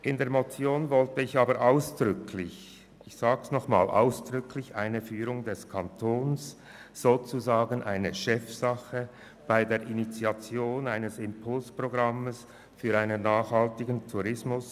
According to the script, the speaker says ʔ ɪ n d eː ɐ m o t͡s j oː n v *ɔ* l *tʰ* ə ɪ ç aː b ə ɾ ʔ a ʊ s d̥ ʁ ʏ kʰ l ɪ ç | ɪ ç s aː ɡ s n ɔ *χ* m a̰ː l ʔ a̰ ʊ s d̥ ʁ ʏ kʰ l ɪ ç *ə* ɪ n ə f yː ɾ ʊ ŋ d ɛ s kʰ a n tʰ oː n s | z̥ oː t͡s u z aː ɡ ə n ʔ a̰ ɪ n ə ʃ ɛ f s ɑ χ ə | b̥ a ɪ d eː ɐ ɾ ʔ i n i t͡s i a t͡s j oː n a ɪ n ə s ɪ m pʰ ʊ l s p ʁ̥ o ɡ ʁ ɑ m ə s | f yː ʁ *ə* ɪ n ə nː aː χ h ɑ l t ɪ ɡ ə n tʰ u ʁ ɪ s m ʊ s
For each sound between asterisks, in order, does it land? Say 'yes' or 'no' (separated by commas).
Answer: yes, no, yes, no, no